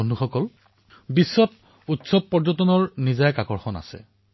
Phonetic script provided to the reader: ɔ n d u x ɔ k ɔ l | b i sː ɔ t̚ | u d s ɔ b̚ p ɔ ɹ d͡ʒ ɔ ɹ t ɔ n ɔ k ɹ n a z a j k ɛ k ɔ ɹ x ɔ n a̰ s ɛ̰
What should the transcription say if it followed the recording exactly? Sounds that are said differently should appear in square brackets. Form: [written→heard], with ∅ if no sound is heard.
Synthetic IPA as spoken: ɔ n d u x ɔ k ɔ l | b i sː ɔ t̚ | u [d→t] s ɔ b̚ p ɔ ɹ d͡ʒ ɔ [ɹ→∅] t ɔ n ɔ [k→∅] ɹ n [a→i] z a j k [ɛ→a] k ɔ ɹ x ɔ n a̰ s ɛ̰